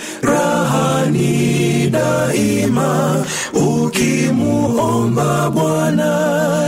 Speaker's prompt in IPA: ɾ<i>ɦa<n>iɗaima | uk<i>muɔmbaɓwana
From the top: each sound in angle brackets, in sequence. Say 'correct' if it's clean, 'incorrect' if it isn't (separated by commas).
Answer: incorrect, correct, correct